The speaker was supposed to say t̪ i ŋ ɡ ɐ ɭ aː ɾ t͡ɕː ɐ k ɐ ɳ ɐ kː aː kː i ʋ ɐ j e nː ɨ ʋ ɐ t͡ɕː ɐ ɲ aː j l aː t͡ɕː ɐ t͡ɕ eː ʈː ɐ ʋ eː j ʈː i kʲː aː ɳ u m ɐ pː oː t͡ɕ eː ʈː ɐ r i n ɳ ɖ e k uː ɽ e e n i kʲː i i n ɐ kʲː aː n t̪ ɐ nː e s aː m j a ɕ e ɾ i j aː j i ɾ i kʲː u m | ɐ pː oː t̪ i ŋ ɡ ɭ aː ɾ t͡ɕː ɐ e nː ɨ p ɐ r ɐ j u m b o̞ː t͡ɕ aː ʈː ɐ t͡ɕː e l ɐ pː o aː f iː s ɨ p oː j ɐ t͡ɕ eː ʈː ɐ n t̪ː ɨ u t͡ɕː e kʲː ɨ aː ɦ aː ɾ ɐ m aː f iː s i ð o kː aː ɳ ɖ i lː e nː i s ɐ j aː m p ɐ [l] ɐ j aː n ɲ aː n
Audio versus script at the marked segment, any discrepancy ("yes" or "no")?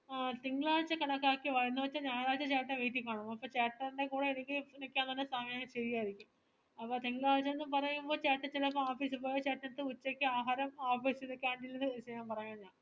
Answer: yes